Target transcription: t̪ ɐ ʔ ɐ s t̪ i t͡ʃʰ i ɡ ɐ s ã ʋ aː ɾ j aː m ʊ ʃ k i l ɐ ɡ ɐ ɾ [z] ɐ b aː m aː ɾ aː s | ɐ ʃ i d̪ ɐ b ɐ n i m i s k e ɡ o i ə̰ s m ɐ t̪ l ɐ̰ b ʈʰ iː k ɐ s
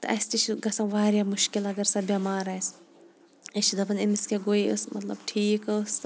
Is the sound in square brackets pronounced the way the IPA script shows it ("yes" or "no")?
no